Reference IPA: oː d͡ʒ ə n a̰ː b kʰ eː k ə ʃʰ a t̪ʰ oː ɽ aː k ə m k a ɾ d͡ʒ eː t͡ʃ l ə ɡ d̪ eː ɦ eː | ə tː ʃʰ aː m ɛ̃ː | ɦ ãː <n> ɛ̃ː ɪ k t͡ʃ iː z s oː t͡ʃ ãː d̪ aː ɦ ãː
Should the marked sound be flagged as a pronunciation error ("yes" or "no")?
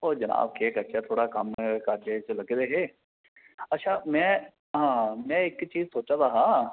yes